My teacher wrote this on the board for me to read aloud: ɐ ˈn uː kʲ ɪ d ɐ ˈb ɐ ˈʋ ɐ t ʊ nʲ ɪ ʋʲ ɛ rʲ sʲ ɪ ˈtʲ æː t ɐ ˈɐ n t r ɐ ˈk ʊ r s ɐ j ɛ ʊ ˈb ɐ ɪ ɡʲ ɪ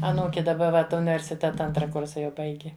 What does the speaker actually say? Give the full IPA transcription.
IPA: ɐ ˈn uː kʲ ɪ d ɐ ˈb ɐ ˈʋ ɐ t ʊ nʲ ɪ ʋʲ ɛ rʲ sʲ ɪ ˈtʲ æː t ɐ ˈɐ n t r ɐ ˈk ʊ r s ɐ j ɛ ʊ ˈb ɐ ɪ ɡʲ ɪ